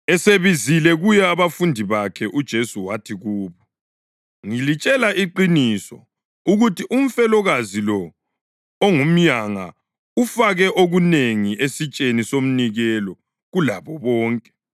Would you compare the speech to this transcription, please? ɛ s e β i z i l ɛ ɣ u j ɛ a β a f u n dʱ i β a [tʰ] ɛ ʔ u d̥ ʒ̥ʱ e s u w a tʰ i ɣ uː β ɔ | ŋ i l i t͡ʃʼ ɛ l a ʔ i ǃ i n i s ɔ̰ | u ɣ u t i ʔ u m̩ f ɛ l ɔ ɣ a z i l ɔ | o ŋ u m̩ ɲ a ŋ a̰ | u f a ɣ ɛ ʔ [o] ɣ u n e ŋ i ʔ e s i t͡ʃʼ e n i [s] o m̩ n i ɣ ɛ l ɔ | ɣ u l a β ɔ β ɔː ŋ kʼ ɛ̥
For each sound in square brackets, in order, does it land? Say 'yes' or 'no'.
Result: no, yes, yes

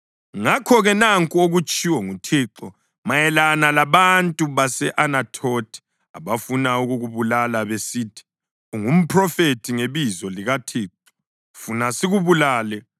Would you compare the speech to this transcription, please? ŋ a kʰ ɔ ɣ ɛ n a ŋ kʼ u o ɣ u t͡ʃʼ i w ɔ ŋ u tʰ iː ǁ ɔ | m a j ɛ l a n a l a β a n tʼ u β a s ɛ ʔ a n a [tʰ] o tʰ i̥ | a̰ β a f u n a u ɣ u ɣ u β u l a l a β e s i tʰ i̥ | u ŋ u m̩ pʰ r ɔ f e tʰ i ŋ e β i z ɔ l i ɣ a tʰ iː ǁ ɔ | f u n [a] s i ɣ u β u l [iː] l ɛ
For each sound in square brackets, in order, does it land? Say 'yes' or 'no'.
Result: yes, yes, no

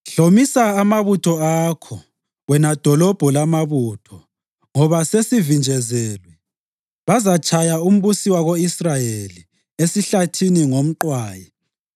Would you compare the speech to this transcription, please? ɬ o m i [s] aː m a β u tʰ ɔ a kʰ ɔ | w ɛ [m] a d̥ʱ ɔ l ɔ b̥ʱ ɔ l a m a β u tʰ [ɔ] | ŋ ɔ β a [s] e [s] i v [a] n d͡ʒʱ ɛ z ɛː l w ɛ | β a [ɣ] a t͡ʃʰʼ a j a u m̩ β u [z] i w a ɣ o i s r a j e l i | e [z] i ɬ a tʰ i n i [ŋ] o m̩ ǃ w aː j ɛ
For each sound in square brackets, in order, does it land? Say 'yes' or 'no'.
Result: yes, no, yes, yes, yes, no, no, no, no, yes

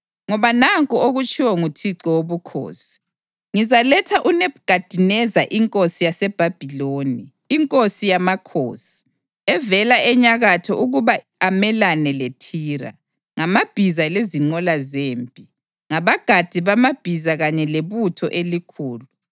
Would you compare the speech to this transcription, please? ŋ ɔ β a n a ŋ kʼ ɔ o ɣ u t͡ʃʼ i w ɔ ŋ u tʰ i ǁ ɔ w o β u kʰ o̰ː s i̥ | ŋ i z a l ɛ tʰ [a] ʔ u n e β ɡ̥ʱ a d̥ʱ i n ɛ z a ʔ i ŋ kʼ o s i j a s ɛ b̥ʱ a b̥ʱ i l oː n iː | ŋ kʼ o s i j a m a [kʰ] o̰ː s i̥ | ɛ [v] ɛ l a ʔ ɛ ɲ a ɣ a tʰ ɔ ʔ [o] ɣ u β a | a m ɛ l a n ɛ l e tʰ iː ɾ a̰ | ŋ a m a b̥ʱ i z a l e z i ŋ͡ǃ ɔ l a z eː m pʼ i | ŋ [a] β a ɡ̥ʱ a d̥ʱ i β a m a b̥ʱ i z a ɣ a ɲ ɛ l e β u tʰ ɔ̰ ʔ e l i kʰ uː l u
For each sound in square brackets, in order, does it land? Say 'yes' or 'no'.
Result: yes, yes, yes, no, yes

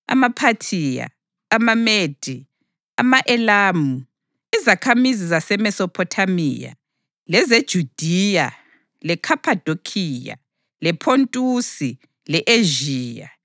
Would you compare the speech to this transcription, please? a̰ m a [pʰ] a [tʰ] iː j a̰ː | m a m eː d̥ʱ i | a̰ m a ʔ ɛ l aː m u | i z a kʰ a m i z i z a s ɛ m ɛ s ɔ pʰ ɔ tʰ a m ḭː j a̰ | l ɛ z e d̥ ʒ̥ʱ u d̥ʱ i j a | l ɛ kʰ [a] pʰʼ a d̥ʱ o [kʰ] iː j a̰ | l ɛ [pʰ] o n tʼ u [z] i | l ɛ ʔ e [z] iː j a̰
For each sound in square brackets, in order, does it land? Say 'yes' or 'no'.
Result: yes, yes, yes, yes, yes, no, no

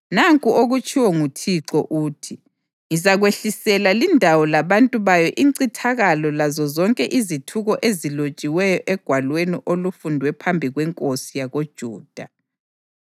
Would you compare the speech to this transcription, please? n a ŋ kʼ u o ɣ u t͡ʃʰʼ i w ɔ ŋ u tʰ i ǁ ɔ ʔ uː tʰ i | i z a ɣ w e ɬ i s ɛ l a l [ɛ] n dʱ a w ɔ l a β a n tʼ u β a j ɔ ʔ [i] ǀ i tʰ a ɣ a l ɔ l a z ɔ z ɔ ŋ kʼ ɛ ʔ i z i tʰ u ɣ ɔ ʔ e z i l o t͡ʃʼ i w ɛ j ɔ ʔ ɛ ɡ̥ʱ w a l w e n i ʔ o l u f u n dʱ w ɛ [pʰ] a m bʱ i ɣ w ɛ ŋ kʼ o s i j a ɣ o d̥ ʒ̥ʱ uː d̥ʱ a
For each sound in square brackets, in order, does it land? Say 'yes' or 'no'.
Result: no, yes, yes

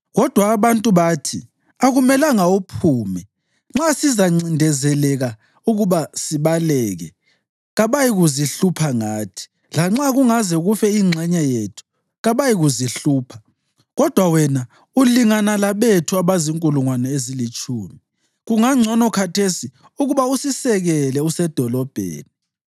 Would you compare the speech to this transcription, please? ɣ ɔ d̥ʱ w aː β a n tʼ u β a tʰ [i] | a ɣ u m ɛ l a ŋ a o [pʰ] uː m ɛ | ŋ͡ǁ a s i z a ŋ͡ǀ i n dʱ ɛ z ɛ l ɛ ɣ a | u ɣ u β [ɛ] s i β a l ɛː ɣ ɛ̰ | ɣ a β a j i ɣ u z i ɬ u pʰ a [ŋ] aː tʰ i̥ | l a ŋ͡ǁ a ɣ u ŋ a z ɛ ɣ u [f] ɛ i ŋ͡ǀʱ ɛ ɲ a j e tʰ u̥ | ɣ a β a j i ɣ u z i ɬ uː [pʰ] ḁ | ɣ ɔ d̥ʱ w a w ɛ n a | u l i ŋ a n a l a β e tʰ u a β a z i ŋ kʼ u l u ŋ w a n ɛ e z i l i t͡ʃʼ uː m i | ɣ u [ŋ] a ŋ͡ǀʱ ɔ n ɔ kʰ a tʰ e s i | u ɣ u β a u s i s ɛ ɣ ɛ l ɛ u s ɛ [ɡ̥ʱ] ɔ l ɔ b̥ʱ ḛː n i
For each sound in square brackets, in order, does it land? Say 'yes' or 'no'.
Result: yes, yes, no, yes, yes, yes, yes, no

